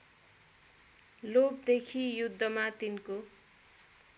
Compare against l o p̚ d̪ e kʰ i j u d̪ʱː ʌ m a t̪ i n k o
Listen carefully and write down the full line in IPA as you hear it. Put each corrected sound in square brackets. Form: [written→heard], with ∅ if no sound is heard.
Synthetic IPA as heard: l o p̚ d̪ e kʰ i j u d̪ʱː ʌ m a t̪ i n k o